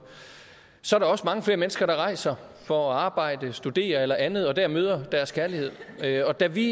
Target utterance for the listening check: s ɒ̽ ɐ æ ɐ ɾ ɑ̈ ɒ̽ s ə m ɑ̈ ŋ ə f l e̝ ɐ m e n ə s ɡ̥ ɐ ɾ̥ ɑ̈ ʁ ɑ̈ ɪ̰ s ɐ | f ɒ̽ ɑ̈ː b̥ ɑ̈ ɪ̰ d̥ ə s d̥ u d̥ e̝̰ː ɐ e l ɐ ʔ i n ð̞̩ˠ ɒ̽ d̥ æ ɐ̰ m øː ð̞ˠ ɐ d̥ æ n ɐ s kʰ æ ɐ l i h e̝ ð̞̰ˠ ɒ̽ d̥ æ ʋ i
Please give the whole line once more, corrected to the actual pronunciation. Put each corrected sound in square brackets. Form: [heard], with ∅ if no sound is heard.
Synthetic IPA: s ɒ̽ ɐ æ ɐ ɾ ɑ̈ ɒ̽ s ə m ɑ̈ ŋ ə f l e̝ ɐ m e n ə s ɡ̥ ɐ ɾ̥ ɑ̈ ʁ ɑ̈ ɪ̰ s ɐ | f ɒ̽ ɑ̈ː b̥ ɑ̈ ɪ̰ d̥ ə s d̥ u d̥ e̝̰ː ɐ e l ɐ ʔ [æ] n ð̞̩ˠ ɒ̽ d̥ æ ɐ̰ m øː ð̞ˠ ɐ d̥ æ [∅] ɐ s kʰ æ ɐ l i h e̝ ð̞̰ˠ ɒ̽ d̥ æ ʋ i